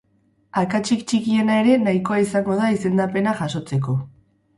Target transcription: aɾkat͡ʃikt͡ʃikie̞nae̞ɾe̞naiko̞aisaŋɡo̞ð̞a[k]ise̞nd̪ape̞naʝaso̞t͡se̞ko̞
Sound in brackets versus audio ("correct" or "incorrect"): incorrect